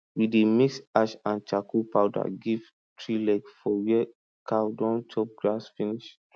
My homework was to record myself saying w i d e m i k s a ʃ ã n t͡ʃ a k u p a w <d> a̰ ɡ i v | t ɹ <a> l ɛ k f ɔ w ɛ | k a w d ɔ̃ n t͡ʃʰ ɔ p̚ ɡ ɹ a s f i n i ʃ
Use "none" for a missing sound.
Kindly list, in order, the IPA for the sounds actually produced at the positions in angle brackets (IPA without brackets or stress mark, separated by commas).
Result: d, i